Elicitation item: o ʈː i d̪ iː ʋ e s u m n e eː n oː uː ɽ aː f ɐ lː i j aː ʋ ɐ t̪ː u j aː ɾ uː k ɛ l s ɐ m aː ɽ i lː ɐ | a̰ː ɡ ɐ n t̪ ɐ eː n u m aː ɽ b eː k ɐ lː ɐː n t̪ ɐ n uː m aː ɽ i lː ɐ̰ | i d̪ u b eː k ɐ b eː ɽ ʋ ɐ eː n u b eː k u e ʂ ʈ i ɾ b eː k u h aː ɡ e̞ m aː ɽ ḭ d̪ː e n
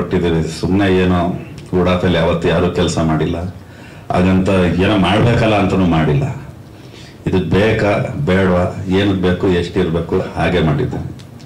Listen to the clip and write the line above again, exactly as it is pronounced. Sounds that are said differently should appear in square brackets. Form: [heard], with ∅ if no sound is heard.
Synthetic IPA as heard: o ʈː i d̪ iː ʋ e s u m n e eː n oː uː ɽ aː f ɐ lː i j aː ʋ ɐ t̪ː u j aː ɾ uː k ɛ l s ɐ m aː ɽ i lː ɐ | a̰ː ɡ ɐ n t̪ ɐ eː n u m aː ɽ b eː k ɐ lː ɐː n t̪ ɐ n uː m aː ɽ i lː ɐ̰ | i d̪ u b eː k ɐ b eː ɽ ʋ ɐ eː n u b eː k u e ʂ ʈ i ɾ b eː k u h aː ɡ e̞ m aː ɽ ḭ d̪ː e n